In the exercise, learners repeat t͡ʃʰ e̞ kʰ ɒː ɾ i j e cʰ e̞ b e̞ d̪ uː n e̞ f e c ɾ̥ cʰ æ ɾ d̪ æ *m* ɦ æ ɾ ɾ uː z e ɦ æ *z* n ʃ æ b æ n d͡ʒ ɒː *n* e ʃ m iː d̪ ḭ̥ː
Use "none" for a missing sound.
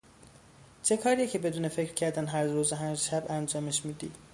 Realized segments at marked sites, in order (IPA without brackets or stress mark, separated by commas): n, none, m